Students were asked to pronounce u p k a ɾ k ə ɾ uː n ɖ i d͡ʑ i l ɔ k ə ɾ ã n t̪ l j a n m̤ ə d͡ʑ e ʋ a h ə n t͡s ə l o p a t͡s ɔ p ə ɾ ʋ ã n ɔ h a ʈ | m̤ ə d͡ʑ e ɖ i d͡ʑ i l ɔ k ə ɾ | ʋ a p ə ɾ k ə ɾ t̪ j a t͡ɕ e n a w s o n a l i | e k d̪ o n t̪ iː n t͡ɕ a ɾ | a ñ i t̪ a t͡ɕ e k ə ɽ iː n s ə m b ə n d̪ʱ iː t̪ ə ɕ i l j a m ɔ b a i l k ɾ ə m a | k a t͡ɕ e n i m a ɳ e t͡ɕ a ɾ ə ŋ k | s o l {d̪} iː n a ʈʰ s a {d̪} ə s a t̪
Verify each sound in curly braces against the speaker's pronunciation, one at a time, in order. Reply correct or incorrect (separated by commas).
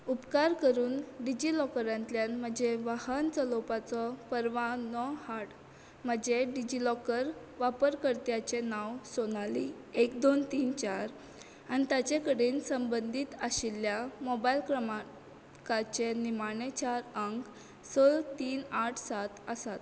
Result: incorrect, incorrect